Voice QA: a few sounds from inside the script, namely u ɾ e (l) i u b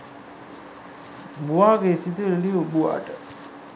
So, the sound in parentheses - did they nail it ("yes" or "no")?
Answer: yes